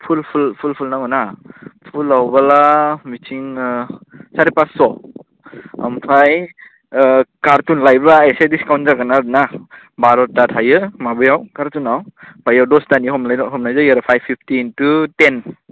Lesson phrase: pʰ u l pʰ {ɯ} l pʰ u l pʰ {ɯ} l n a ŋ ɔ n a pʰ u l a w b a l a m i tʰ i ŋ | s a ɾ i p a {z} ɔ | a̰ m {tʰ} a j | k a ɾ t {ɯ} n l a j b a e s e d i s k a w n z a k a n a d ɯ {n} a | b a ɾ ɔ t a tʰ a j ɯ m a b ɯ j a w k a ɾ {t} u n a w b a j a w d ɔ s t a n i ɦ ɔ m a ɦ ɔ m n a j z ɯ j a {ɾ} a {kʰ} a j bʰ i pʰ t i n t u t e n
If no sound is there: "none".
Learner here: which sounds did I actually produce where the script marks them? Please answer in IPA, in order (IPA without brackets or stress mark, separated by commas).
u, u, s, pʰ, u, n, t, ɾ, pʰ